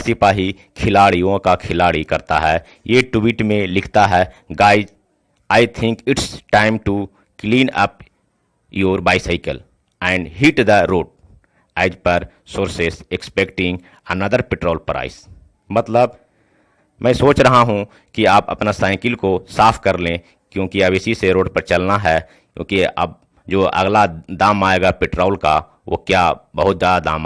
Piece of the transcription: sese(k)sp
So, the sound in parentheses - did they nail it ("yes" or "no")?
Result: yes